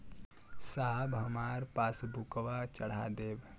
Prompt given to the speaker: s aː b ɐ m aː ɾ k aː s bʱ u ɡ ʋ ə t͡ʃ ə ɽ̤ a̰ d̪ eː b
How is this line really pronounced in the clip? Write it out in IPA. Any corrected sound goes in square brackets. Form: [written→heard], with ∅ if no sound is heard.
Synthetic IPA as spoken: s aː b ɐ m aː ɾ [k→p] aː s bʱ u [ɡ→k] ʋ [ə→a] t͡ʃ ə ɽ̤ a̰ d̪ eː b